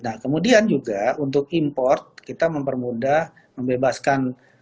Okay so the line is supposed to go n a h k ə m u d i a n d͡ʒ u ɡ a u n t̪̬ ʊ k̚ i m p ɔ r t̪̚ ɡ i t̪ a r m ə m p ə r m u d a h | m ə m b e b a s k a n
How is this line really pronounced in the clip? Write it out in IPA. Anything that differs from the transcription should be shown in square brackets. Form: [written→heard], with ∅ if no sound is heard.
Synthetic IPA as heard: n a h k ə m u d i a n d͡ʒ u ɡ a u n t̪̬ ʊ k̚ i m p ɔ r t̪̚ [ɡ→k] i t̪ a [r→∅] m ə m p ə r m u d a h | m ə m b e b a s k a n